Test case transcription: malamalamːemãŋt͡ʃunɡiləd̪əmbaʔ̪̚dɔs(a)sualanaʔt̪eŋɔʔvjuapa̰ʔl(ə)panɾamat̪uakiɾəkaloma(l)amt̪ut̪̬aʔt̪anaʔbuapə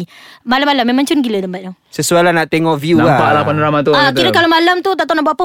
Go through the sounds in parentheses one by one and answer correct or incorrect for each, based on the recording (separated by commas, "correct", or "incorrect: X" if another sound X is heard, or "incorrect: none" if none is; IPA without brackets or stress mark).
incorrect: ə, incorrect: a, correct